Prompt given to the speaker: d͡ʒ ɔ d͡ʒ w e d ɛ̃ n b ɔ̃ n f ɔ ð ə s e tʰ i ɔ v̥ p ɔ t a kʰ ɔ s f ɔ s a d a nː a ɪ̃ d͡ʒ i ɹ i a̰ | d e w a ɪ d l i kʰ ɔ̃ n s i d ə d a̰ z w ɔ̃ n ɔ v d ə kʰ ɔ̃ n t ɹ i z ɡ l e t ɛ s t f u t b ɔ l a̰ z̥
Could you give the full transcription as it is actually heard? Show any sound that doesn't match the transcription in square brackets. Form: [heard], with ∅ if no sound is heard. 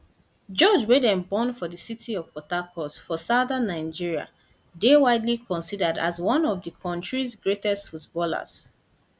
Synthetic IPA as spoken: d͡ʒ ɔ d͡ʒ w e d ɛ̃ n b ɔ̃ n f ɔ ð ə s [i] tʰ i ɔ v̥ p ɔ t a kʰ ɔ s f ɔ s a d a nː a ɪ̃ d͡ʒ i ɹ i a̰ | d e w a ɪ d l i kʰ ɔ̃ n s i d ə d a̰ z w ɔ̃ n ɔ v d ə kʰ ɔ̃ n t ɹ i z ɡ [ɹ] e t ɛ s t f u t b ɔ l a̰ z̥